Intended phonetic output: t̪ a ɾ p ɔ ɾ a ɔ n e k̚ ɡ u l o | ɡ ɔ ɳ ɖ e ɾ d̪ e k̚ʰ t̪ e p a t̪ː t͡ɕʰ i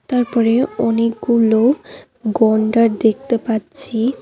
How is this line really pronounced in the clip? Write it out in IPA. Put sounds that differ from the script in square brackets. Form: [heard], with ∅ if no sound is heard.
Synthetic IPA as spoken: t̪ a ɾ p ɔ ɾ [e] ɔ n e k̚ ɡ u l o | ɡ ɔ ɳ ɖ [a] ɾ d̪ e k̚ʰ t̪ e p a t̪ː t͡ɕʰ i